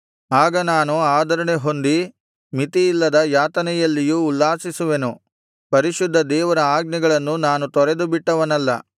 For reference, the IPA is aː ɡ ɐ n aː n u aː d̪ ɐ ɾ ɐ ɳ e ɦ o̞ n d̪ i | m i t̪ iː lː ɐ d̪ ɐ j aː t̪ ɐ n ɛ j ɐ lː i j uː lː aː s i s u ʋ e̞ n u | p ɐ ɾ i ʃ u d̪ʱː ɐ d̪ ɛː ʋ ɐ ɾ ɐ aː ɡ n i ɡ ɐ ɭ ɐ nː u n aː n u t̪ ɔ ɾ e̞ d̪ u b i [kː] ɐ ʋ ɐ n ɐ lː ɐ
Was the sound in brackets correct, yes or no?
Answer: no